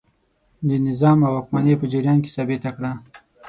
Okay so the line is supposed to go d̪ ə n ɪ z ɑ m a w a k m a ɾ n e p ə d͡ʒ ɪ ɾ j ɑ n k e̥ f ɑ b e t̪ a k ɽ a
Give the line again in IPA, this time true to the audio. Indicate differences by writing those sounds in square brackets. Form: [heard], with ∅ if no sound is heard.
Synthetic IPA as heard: d̪ ə n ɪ z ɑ m a w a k m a [∅] n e p ə d͡ʒ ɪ ɾ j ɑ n k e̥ [s] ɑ b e t̪ a k ɽ a